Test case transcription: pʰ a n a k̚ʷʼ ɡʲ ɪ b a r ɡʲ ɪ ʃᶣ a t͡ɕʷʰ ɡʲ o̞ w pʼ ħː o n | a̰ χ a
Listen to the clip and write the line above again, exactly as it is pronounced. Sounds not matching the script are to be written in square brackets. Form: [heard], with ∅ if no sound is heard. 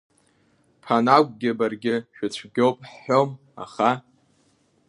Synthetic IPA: pʰ a n a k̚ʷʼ ɡʲ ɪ b a r ɡʲ ɪ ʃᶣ a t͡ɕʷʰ ɡʲ o̞ w pʼ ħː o [m] | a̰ χ a